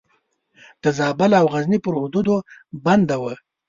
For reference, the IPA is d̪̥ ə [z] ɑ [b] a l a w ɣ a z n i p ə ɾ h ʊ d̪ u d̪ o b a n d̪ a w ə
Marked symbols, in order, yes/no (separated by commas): yes, yes